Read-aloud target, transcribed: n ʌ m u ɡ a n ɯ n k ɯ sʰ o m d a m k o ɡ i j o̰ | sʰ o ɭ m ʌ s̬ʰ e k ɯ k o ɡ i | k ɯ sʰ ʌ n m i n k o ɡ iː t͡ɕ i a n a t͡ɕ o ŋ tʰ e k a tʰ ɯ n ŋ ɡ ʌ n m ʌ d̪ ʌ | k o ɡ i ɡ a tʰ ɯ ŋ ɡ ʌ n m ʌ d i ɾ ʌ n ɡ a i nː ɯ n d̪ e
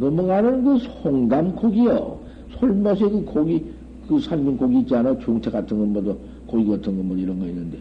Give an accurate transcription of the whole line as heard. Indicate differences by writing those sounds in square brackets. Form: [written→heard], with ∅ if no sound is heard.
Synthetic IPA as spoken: n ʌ m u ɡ a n ɯ n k ɯ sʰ o [m→ŋ] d a m k o ɡ i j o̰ | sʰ o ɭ m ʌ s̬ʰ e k ɯ k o ɡ i | k ɯ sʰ [ʌ→a] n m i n k o ɡ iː t͡ɕ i a n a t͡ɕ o ŋ tʰ e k a tʰ ɯ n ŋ ɡ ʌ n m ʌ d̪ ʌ | k o ɡ i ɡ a tʰ ɯ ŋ ɡ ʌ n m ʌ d i ɾ ʌ n ɡ [a→ʌ] i nː ɯ n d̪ e